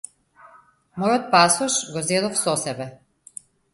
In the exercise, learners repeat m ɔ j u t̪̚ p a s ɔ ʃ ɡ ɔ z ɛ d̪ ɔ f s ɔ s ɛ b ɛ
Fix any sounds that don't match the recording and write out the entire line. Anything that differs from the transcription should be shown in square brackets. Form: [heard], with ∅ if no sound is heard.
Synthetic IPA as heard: m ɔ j [ɔ] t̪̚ p a s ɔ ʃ ɡ ɔ z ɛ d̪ ɔ f s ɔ s ɛ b ɛ

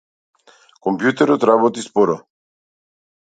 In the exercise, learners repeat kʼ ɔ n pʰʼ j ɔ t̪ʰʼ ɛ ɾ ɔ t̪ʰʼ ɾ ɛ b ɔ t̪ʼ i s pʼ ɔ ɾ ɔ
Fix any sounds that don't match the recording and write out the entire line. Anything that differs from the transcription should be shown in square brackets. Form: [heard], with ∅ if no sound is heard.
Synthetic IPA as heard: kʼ ɔ [m] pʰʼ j [u] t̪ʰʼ ɛ ɾ ɔ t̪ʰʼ ɾ [a] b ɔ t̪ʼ i s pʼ ɔ ɾ ɔ

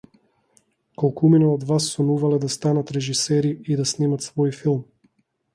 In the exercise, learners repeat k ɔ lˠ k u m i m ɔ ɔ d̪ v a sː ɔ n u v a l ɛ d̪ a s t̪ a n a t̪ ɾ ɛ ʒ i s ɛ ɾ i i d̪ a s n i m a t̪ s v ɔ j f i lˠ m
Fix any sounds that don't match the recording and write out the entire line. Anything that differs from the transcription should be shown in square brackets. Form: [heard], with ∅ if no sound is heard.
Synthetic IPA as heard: k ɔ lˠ k u m i [n] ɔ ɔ d̪ v a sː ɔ n u v a l ɛ d̪ a s t̪ a n a t̪ ɾ ɛ ʒ i s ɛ ɾ i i d̪ a s n i m a t̪ s v ɔ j f i lˠ m

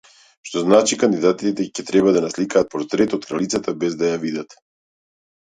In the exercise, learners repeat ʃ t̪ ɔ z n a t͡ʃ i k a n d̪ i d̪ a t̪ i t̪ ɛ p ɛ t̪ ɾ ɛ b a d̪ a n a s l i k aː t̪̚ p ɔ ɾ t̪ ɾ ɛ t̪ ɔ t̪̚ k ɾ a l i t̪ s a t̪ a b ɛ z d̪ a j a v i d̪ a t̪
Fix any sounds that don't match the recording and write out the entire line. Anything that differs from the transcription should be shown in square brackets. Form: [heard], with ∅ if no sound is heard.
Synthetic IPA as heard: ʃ t̪ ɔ z n a t͡ʃ i k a n d̪ i d̪ a t̪ i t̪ ɛ [c] ɛ t̪ ɾ ɛ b a d̪ a n a s l i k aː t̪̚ p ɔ ɾ t̪ ɾ ɛ t̪ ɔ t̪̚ k ɾ a l i t̪ s a t̪ a b ɛ z d̪ a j a v i d̪ a t̪

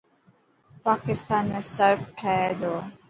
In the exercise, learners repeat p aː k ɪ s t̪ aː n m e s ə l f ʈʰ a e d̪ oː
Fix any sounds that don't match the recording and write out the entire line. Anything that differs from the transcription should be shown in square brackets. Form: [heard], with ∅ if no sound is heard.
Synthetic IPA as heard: p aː k ɪ s t̪ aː n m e s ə [ɾ] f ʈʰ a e d̪ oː

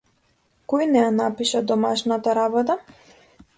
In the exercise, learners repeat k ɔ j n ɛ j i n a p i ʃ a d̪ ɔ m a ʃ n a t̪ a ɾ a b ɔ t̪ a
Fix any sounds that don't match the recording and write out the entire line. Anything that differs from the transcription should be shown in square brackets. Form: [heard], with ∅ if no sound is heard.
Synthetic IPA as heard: k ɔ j n ɛ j [a] n a p i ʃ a d̪ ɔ m a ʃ n a t̪ a ɾ a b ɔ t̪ a

